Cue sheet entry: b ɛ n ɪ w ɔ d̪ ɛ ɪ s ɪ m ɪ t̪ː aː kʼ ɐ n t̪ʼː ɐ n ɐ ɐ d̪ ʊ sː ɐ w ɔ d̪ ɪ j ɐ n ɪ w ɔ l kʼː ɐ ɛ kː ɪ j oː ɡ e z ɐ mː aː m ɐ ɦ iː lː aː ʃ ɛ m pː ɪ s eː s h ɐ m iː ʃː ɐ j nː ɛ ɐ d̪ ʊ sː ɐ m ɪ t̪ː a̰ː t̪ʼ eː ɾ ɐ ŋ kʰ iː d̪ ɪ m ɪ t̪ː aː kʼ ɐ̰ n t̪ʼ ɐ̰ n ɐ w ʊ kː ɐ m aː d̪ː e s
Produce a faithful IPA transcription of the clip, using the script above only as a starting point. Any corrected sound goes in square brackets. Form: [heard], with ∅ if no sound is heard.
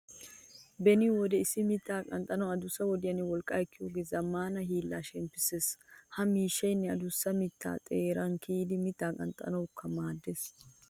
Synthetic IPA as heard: b ɛ n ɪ w ɔ d̪ ɛ ɪ s ɪ m ɪ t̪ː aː kʼ ɐ n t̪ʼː ɐ n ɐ ɐ d̪ ʊ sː ɐ w ɔ d̪ ɪ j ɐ n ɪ w ɔ l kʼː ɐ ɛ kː ɪ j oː ɡ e z ɐ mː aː [n] ɐ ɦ iː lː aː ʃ ɛ m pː ɪ s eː s h ɐ m iː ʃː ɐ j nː ɛ ɐ d̪ ʊ sː ɐ m ɪ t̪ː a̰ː t̪ʼ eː ɾ ɐ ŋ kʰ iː d̪ ɪ m ɪ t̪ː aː kʼ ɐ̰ n t̪ʼ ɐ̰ n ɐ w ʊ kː ɐ m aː d̪ː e s